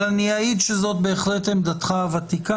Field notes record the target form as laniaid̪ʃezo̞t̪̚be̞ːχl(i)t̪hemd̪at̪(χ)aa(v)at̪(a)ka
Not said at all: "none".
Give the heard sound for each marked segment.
e, χ, v, i

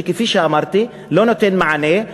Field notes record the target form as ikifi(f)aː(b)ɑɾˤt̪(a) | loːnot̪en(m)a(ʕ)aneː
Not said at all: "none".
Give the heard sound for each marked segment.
ʃ, m, i, m, ʕ

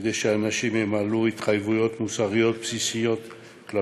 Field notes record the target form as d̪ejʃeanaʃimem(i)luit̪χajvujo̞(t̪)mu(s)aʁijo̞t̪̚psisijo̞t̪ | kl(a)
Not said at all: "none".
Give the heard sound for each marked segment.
a, t̪, s, a

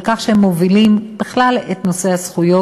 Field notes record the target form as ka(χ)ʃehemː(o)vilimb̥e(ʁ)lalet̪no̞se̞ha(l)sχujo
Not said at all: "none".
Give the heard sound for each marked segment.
χ, o, χ, none

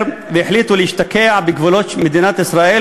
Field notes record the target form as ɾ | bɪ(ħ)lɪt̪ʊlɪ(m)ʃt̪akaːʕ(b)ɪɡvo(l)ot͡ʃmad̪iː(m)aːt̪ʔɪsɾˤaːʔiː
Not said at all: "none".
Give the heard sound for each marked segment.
ħ, none, b, l, n

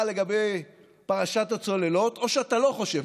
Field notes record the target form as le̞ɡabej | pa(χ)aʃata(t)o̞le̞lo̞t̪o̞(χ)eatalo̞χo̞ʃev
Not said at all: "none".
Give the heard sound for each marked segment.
ʁ, t͡s, ʃ

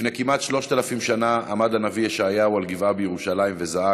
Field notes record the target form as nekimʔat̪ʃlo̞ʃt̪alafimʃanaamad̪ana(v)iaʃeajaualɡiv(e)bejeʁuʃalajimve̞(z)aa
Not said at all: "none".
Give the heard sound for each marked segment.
v, a, z

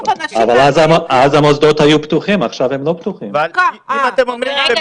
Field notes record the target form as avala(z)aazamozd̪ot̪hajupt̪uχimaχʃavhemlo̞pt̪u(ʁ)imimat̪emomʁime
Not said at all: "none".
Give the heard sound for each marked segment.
z, χ

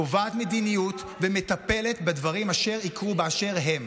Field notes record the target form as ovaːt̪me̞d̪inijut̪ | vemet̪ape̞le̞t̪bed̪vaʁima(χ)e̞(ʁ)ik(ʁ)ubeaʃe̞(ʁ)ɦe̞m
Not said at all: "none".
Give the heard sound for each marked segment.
ʃ, ʁ, ʁ, ʁ

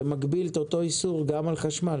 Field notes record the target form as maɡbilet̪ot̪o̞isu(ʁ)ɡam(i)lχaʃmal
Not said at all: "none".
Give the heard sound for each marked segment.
ʁ, a

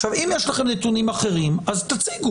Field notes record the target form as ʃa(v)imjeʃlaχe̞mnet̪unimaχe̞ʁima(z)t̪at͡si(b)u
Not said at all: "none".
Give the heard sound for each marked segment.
v, z, ɡ

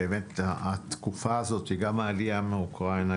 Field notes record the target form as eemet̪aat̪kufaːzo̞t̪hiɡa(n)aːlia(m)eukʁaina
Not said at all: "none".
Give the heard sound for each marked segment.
m, m

